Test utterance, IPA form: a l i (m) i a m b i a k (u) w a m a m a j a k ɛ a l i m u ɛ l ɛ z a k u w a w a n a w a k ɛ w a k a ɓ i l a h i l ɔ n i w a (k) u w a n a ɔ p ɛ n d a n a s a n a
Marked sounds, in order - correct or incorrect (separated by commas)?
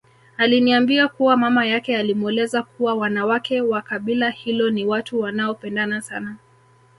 incorrect, correct, incorrect